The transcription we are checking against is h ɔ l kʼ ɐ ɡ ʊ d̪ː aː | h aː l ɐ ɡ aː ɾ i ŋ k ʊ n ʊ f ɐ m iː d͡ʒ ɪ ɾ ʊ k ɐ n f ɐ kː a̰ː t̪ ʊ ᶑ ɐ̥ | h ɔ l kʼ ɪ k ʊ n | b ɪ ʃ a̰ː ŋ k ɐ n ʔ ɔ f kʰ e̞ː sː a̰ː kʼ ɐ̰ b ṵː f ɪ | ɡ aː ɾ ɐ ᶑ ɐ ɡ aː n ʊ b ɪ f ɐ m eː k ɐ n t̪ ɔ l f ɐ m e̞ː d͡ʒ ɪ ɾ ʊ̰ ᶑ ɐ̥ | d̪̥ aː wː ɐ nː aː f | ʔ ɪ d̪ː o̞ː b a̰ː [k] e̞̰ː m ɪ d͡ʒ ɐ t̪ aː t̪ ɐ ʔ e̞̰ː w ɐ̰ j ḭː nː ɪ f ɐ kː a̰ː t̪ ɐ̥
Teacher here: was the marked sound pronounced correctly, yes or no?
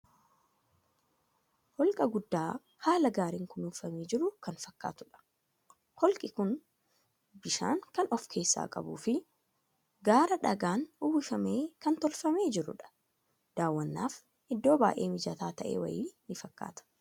no